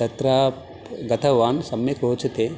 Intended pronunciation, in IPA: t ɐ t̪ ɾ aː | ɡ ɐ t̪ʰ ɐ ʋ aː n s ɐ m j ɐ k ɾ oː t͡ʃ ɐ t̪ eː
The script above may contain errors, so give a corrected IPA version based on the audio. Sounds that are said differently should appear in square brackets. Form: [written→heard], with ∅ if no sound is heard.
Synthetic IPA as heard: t ɐ t̪ ɾ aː | ɡ ɐ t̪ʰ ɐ ʋ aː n s ɐ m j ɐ k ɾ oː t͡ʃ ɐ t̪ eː